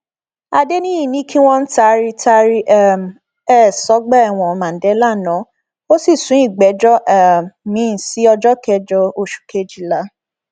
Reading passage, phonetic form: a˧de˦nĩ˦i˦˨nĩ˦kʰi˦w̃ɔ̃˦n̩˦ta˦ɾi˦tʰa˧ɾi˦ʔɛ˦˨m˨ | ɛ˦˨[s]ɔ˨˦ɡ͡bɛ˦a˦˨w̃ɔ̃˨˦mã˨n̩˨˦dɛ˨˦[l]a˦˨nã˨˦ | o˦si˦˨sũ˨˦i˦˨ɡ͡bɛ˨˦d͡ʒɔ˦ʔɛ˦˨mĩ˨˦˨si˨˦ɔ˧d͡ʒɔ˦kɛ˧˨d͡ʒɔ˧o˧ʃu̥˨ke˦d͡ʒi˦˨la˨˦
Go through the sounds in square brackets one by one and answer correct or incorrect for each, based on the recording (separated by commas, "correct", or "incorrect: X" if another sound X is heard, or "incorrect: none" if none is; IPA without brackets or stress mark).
correct, correct